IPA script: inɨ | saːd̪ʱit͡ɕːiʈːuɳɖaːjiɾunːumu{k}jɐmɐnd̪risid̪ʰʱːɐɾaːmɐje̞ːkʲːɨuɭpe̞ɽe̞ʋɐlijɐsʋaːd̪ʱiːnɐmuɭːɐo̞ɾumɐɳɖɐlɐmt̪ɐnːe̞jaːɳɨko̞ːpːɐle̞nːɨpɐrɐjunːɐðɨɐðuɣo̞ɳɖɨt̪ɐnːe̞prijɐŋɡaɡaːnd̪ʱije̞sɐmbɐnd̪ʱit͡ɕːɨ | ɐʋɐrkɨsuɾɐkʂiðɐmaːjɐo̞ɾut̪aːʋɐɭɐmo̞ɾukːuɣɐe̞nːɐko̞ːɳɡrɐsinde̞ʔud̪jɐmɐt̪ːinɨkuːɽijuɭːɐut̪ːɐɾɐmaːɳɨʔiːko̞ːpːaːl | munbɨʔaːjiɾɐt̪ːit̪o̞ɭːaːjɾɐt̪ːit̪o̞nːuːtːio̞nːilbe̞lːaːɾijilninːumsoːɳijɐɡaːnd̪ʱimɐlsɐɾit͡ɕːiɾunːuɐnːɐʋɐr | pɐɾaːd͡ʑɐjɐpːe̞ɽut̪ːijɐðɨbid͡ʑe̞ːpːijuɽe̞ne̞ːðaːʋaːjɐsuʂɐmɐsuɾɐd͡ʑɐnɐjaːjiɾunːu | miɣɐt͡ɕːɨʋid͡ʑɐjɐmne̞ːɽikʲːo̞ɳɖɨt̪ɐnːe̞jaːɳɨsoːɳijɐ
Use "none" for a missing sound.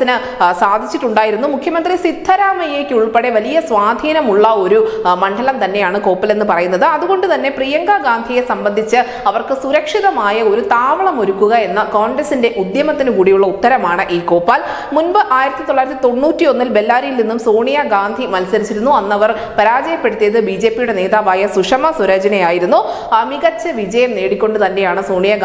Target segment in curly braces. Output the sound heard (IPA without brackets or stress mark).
kʰ